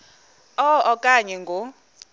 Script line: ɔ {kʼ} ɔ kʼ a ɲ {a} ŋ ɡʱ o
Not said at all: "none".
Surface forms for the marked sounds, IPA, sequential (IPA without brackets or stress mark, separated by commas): none, ɛ